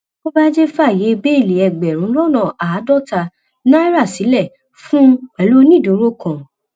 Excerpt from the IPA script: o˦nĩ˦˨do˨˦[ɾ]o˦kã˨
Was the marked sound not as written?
no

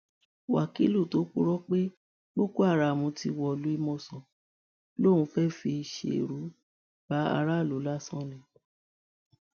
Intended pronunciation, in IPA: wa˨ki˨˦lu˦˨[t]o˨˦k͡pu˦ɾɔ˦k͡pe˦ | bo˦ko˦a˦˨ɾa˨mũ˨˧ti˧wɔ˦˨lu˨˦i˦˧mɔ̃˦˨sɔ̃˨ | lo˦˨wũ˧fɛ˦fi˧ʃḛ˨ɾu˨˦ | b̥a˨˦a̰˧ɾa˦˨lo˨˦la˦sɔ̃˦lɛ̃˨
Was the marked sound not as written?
no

